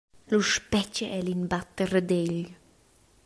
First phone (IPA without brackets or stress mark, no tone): l